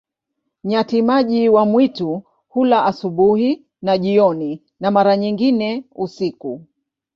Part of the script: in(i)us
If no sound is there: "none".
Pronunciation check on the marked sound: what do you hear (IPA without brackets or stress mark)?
ɛ